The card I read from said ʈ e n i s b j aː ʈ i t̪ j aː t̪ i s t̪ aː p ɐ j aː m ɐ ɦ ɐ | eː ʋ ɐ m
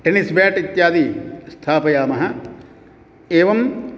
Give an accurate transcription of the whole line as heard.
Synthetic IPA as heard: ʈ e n i s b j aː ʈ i t̪ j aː d̪ i s t̪ʰ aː p ɐ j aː m ɐ ɦ ɐ | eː ʋ ɐ m